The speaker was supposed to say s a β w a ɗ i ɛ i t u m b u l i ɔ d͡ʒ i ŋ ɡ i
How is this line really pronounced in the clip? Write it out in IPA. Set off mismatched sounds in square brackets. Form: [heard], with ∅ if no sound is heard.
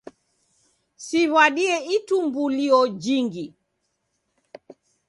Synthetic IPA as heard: s [i] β w a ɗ i ɛ i t u m b u l i ɔ d͡ʒ i ŋ ɡ i